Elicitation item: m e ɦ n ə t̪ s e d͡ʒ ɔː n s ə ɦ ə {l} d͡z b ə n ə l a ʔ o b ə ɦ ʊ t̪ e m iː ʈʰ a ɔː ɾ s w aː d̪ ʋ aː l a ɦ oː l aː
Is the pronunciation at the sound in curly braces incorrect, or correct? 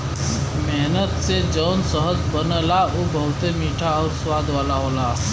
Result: incorrect